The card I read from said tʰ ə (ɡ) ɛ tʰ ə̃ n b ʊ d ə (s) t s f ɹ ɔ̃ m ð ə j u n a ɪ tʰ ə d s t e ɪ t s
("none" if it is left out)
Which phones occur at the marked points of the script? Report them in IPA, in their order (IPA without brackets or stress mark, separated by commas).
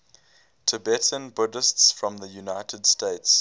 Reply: b, s